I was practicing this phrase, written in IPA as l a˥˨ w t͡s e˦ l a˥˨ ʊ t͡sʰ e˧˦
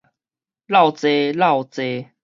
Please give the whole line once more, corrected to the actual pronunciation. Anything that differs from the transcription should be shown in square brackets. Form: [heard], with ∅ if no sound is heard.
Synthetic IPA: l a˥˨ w t͡s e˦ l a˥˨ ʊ [t͡s] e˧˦